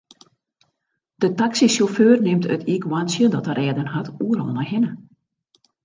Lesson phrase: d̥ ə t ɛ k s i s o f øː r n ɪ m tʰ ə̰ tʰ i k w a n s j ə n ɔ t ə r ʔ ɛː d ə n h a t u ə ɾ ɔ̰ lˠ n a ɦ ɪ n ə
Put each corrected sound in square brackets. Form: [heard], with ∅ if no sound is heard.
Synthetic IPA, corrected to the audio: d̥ ə t [a] k s i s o f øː r n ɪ m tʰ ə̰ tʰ i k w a n s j ə [d] ɔ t ə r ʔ ɛː d ə n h a t u ə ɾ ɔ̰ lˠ n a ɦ ɪ n ə

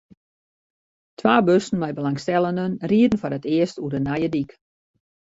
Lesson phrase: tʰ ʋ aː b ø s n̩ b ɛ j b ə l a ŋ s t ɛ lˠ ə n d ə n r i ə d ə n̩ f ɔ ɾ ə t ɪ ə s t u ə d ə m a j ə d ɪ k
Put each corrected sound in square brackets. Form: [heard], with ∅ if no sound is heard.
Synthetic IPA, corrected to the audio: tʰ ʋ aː b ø s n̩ [m] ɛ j b ə l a ŋ s t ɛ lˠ ə n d ə n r i ə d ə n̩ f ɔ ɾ ə t ɪ ə s t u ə d ə [n] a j ə d [i] k

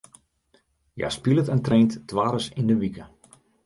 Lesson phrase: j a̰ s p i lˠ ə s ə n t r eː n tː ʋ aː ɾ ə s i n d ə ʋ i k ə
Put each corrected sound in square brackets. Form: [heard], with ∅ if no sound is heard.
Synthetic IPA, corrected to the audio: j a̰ s p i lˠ ə [t] ə n t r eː n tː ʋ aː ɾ ə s i n d ə ʋ i k ə

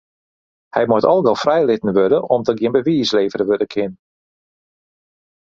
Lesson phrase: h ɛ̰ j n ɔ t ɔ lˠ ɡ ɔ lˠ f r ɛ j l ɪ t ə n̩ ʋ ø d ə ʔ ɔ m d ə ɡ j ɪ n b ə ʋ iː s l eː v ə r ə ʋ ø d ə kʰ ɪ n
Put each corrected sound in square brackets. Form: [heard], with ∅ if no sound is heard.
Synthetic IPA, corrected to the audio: h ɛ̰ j [m] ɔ t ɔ lˠ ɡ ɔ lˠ f r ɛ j l ɪ t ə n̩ ʋ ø d ə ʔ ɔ m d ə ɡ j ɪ n b ə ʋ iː s l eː v ə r ə ʋ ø d ə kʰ ɪ n

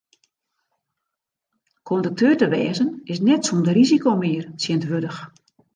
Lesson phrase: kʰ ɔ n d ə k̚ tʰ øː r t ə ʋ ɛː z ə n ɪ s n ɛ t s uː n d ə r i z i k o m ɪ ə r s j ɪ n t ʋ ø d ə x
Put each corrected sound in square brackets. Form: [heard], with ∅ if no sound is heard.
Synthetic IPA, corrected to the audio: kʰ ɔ n d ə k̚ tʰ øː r t ə ʋ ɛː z ə n ɪ s n ɛ t s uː n d ə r i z i k o m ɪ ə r s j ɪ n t ʋ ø d ə x

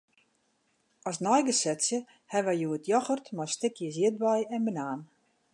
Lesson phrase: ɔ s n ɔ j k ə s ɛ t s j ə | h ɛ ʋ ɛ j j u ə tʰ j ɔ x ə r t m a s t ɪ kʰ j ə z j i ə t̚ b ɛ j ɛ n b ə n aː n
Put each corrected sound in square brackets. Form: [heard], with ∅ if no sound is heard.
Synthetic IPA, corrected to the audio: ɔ s n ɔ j [ɡ] ə s ɛ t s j ə | h ɛ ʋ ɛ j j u ə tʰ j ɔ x ə r t m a s t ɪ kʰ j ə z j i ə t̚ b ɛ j ɛ n b ə n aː n

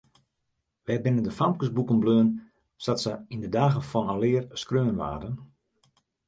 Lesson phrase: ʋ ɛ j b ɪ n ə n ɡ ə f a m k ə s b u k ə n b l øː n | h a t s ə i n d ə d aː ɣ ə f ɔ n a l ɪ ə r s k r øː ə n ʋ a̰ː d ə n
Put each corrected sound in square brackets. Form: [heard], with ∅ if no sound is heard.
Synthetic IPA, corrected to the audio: ʋ ɛ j b ɪ n ə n [d] ə f a m k ə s b u k ə n b l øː n | [s] a t s ə i n d ə d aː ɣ ə f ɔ n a l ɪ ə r s k r øː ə n ʋ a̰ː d ə n

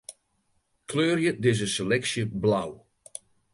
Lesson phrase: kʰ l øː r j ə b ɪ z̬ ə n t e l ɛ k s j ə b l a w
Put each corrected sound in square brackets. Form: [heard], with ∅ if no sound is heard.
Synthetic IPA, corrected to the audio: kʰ l øː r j ə [d] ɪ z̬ ə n [s] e l ɛ k s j ə b l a w

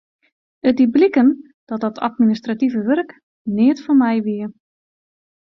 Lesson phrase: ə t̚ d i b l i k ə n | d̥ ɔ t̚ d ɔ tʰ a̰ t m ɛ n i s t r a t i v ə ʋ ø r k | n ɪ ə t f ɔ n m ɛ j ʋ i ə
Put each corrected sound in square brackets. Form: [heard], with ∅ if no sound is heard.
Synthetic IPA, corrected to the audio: ə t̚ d i b l i k ə n | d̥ ɔ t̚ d ɔ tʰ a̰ t m [i] n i s t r a t i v ə ʋ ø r k | n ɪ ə t f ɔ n m ɛ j ʋ i ə

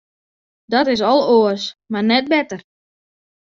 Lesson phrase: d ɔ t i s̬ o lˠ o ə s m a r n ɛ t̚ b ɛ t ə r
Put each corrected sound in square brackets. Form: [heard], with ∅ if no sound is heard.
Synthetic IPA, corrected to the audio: d ɔ t [ɪ] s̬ [ɔ] lˠ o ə s m a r n ɛ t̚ b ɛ t ə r

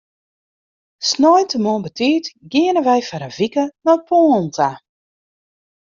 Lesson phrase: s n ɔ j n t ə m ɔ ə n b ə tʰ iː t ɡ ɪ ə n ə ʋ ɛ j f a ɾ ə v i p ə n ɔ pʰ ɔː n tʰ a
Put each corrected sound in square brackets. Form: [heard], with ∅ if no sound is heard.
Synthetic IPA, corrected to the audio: s n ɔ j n t ə m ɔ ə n b ə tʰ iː t ɡ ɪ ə n ə ʋ ɛ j f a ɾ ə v i [k] ə n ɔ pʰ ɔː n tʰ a

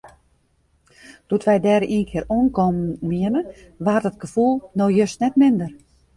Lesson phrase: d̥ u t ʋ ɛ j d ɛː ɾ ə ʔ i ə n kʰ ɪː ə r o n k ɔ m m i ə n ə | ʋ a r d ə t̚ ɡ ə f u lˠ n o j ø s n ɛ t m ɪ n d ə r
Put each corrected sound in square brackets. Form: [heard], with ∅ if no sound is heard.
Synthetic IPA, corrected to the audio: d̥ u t ʋ ɛ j d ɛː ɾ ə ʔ i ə n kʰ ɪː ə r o n k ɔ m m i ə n ə | ʋ a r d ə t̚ ɡ ə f u lˠ n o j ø s n ɛ t m ɪ n d ə r

